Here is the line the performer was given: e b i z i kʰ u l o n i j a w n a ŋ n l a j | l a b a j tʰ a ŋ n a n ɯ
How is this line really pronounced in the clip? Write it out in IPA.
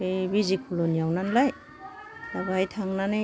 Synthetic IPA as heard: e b i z i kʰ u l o n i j a w n a n l a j | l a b a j tʰ a ŋ n a n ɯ